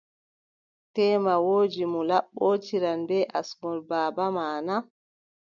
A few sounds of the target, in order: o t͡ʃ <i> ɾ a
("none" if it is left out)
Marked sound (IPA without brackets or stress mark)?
i